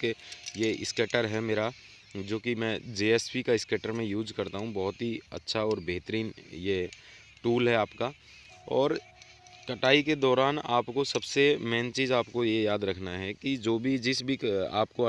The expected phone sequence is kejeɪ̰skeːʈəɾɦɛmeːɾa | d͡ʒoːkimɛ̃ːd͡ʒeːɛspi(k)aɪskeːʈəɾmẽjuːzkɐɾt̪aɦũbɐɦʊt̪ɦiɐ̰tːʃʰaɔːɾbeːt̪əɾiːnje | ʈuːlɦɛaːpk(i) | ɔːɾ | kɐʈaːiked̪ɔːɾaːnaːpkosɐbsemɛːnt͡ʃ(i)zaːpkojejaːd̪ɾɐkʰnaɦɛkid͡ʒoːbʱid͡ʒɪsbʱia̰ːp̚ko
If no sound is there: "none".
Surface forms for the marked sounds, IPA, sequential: k, a, iː

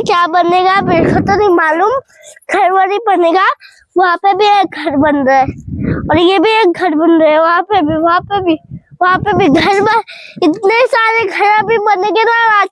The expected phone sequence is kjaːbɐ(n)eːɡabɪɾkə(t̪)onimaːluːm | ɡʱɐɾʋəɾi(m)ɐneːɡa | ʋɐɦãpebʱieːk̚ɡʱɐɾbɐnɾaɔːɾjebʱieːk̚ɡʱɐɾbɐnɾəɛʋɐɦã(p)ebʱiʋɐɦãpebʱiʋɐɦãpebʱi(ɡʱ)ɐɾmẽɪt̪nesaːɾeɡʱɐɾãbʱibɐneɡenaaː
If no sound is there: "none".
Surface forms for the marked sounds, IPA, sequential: n, t̪, b, p, ɡʱ

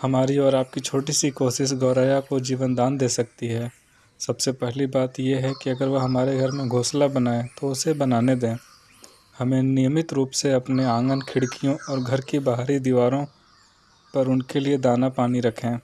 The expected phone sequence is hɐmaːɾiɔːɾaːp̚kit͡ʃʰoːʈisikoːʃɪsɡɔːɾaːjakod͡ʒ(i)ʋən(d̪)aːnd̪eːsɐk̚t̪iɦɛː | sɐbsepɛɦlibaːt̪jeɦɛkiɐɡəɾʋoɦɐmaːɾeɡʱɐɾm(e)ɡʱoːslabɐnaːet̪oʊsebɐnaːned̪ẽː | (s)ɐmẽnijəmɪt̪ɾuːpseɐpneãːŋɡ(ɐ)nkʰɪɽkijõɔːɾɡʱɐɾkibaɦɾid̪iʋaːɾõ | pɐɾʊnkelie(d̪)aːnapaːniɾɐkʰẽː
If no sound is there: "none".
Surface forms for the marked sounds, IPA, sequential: iː, d̪, ẽ, h, ə, d̪

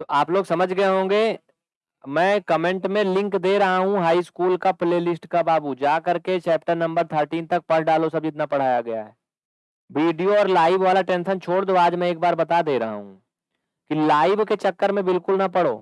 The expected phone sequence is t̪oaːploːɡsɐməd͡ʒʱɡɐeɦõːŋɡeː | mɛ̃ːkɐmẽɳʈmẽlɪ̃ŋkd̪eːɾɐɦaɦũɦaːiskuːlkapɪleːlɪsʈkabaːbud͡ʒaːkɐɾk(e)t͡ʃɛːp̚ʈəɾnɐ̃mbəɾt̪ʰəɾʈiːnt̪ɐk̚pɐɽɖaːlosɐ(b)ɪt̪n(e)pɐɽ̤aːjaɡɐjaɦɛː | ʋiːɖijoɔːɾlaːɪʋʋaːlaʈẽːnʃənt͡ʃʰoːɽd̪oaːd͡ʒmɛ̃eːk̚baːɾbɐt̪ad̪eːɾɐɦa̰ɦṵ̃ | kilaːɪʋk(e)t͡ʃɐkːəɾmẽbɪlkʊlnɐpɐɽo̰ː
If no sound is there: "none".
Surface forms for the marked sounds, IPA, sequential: e, b, a, e

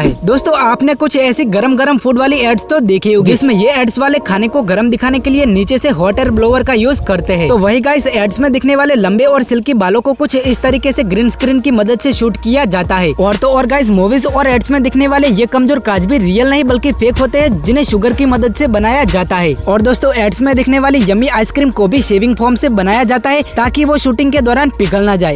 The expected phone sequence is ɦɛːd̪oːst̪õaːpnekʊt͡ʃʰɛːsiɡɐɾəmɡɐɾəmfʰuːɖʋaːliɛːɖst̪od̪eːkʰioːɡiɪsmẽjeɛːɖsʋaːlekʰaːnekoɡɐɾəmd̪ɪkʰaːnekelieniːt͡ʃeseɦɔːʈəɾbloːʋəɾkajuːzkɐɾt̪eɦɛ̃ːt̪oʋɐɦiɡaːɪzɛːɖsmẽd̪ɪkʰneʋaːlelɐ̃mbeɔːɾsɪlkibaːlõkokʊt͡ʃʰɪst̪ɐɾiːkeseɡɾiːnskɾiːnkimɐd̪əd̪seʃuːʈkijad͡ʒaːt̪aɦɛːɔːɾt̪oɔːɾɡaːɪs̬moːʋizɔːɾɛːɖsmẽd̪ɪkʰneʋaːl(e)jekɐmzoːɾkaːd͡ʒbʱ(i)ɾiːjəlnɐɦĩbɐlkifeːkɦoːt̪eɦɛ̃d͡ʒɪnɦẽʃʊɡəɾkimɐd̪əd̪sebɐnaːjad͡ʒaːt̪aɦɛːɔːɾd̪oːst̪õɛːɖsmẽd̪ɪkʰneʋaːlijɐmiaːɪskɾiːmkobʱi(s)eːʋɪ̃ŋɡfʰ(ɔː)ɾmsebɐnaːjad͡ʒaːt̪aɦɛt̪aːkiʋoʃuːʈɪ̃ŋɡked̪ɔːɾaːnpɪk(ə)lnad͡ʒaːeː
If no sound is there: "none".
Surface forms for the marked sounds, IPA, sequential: e, i, ʃ, ɔː, ə

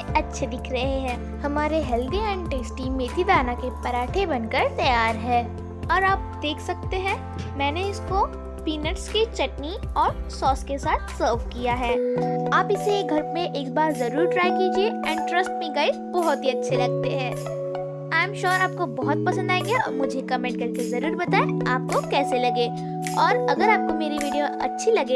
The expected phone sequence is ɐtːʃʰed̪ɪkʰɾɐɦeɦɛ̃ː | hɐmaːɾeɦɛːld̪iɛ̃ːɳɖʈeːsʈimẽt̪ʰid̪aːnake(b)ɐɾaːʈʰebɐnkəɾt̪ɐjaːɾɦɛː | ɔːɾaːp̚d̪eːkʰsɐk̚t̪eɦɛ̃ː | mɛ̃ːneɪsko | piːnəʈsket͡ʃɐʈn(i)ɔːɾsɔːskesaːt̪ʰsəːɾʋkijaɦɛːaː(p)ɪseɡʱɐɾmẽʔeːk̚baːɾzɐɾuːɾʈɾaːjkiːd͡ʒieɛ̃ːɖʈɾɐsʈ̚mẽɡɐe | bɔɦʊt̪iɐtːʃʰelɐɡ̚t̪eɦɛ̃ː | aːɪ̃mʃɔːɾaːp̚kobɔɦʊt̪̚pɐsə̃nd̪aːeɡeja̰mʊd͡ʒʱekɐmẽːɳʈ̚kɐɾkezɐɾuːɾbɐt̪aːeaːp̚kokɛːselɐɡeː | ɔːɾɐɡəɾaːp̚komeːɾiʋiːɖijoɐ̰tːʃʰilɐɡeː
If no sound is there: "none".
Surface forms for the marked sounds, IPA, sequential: p, i, p

